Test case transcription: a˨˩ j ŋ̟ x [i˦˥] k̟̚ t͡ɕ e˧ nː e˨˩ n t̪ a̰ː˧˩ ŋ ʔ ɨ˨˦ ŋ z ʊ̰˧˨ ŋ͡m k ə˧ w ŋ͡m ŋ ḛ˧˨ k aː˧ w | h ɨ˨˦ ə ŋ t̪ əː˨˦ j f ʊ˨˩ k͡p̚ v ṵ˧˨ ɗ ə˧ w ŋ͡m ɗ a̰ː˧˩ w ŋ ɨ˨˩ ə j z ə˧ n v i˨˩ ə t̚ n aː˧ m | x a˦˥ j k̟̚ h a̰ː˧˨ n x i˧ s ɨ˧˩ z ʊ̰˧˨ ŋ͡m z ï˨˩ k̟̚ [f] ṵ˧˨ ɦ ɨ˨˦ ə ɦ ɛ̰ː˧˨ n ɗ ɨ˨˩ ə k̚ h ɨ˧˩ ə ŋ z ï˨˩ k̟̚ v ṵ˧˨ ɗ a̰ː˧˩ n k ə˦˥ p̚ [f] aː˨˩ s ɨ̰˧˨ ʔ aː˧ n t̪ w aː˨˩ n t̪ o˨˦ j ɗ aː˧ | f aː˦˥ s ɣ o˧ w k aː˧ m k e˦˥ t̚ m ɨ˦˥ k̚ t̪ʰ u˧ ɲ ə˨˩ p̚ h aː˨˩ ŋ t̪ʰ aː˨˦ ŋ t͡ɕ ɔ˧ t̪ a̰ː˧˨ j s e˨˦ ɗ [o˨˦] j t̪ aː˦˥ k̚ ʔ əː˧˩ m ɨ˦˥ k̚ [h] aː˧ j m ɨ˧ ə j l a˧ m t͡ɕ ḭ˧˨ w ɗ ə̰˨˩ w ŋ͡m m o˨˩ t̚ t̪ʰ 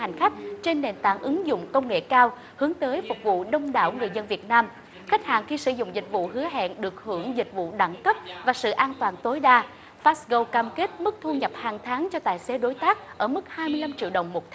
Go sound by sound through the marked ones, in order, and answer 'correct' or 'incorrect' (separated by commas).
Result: incorrect, incorrect, incorrect, correct, correct